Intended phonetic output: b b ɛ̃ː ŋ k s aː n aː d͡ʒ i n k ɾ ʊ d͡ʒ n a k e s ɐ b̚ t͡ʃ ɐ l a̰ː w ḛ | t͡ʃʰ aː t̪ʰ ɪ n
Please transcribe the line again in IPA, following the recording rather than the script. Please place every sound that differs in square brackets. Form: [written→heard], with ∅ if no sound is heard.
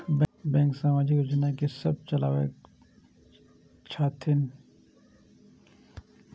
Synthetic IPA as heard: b b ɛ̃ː ŋ k s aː [n→m] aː d͡ʒ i [n→∅] k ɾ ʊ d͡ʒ n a k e s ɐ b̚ t͡ʃ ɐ l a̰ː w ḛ | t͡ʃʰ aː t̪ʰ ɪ n